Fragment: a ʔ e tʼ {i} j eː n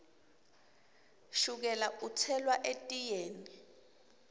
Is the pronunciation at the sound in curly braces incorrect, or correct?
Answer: correct